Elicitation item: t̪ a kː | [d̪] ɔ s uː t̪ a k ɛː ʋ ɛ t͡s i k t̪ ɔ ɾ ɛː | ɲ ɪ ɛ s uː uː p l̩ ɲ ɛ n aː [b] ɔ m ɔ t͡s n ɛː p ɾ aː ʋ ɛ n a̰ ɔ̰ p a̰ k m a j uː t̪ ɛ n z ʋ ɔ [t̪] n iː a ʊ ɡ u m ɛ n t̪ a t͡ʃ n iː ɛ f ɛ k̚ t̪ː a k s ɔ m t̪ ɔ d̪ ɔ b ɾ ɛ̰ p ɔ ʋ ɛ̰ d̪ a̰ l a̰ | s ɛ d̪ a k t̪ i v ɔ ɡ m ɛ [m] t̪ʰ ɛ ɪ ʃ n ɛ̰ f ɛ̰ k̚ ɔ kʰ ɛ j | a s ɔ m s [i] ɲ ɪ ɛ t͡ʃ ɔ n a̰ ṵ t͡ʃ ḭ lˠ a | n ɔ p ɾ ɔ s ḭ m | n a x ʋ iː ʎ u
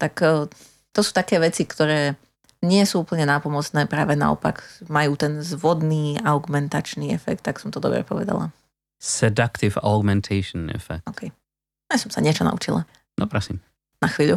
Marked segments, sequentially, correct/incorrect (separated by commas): incorrect, incorrect, incorrect, incorrect, incorrect